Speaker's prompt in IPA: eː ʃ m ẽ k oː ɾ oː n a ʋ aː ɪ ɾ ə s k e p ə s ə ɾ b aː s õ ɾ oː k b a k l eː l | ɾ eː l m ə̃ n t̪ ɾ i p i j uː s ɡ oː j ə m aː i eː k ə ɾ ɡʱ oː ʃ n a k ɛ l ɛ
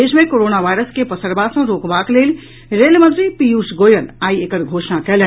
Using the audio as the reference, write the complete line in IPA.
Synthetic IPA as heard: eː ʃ m ẽ k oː ɾ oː n a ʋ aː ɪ ɾ ə s k e p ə s ə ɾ b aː s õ ɾ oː k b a k l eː l | ɾ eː l m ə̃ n t̪ ɾ i p i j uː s ɡ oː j ə n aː i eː k ə ɾ ɡʱ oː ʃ n a k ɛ l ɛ